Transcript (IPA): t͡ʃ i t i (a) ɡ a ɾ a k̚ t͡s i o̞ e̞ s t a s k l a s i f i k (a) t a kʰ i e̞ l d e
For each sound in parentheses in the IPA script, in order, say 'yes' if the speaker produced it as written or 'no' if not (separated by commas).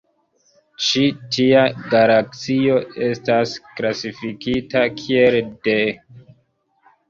yes, no